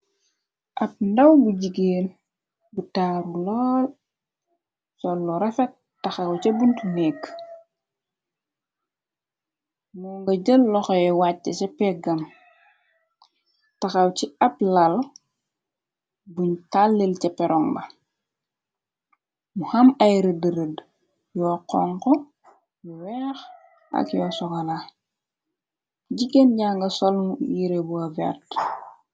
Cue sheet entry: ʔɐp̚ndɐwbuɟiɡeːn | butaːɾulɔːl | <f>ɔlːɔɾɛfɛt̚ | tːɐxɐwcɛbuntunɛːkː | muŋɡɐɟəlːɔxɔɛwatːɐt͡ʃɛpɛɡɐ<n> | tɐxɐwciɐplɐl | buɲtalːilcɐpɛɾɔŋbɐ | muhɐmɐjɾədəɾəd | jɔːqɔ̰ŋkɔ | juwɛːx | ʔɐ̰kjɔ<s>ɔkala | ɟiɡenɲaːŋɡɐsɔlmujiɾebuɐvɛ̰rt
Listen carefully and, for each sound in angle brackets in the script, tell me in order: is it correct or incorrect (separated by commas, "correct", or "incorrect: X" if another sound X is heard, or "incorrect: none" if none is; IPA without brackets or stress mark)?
incorrect: s, incorrect: m, correct